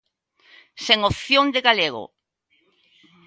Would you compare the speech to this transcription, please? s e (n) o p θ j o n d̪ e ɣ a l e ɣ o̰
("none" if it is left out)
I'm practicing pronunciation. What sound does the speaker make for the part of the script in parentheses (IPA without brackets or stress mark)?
ŋ